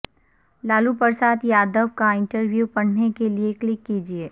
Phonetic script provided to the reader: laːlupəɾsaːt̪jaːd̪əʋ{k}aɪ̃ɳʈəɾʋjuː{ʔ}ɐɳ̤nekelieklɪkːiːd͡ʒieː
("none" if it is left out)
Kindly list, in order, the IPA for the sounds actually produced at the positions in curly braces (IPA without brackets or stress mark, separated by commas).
k, p